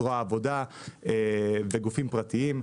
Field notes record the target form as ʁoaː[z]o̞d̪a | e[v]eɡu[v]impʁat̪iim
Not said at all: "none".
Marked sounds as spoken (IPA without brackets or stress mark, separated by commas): v, v, f